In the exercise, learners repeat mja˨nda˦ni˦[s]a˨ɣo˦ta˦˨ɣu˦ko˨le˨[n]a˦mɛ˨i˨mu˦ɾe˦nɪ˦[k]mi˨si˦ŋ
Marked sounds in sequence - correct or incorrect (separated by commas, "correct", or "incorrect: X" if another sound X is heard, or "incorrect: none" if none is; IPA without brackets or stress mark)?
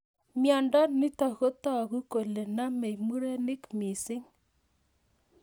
incorrect: t, correct, correct